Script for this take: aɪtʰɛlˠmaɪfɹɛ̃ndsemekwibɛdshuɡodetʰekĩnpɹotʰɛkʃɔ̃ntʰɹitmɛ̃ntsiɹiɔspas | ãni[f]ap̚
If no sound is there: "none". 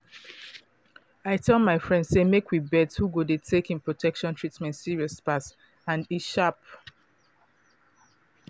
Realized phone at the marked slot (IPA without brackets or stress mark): ʃ